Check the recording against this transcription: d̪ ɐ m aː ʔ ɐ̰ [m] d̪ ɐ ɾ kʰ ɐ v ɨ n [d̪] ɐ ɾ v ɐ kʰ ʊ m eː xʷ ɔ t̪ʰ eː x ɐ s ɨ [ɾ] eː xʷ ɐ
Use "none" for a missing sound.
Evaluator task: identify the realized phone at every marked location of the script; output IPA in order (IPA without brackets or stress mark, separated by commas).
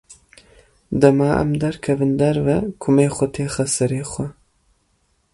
m, d̪, ɾ